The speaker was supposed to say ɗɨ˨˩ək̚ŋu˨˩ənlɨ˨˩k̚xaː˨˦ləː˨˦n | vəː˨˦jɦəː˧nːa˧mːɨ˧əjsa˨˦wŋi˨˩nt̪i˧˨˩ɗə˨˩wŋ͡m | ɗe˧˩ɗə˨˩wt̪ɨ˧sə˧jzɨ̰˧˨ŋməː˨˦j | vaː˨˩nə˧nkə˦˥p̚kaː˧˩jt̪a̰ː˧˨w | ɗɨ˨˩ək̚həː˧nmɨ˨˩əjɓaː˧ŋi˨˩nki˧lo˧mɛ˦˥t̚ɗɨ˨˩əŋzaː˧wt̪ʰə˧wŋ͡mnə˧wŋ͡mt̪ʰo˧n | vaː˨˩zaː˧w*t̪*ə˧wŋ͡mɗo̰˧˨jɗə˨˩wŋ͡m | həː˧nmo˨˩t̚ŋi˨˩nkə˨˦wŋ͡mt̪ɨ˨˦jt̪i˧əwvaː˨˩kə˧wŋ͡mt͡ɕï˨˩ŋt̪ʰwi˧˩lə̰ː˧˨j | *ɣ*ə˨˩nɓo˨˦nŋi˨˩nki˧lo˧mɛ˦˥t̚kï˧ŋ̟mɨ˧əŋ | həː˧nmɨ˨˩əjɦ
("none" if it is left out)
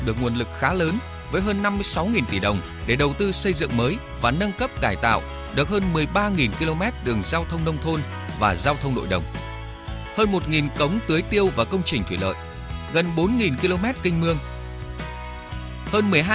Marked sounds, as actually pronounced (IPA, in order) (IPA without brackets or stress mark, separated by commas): t̪ʰ, ɣ